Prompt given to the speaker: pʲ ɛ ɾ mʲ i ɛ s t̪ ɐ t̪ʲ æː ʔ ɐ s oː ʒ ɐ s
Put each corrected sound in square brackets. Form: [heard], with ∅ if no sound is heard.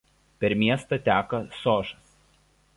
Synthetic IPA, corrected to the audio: pʲ ɛ ɾ mʲ i ɛ s t̪ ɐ t̪ʲ æː [k] ɐ s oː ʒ ɐ s